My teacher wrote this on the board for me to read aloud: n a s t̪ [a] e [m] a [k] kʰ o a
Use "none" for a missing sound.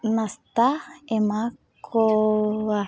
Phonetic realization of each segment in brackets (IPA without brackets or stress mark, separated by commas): a, m, k